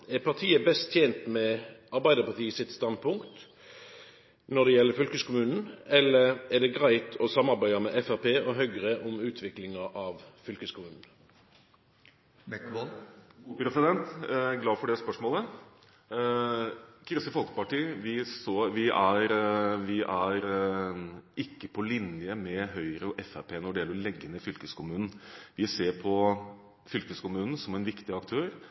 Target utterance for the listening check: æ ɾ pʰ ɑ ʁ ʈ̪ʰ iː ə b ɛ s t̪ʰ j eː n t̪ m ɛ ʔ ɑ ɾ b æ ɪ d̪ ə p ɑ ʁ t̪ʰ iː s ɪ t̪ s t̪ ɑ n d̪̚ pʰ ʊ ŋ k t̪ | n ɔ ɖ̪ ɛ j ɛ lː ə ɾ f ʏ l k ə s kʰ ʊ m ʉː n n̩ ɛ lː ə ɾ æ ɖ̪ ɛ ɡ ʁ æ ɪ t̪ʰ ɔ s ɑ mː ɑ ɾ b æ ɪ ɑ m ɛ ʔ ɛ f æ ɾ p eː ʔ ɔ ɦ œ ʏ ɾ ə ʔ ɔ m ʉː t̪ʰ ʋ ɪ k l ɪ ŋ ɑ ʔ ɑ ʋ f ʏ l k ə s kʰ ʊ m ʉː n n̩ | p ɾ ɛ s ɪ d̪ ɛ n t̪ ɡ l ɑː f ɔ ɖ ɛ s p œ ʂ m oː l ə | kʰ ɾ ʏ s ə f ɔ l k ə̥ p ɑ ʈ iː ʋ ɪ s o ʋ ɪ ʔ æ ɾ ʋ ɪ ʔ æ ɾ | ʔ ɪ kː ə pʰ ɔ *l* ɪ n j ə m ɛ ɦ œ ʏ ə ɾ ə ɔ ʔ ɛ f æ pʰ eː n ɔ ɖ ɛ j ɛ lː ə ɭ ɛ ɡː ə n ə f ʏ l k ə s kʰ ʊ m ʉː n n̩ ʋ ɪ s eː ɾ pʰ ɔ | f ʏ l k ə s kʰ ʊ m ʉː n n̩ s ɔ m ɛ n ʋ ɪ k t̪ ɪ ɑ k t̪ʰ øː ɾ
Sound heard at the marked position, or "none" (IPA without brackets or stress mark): l